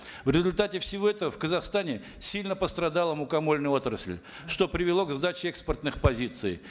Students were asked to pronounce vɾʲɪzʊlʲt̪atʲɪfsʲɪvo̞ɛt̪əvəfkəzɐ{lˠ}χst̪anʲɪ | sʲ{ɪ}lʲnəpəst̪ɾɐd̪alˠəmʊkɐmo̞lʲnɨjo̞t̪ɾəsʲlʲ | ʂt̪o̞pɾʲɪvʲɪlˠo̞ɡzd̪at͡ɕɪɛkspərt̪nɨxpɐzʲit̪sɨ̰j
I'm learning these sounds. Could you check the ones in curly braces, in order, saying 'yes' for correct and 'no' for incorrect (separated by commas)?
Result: no, no